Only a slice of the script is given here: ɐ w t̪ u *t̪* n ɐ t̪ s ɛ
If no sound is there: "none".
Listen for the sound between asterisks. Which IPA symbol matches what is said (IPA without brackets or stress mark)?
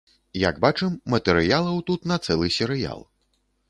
t̪